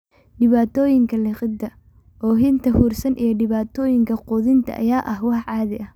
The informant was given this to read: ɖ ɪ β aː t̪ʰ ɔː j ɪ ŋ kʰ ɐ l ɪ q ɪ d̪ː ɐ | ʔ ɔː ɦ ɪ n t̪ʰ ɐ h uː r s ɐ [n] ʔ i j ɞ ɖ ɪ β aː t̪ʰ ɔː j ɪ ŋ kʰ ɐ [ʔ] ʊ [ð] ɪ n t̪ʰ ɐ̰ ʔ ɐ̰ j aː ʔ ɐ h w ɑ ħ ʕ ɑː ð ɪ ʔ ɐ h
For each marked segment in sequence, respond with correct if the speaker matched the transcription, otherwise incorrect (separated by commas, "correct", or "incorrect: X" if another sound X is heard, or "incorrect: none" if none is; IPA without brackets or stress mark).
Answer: correct, incorrect: q, correct